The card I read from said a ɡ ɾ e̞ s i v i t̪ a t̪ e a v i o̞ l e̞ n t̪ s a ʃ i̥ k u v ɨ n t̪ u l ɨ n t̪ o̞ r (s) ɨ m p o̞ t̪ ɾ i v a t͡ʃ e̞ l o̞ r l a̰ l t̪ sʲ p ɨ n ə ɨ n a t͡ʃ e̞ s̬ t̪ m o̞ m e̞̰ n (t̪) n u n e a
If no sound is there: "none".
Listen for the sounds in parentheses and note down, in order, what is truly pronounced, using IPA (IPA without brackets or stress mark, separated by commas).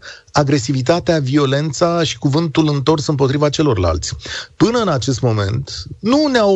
s, t̪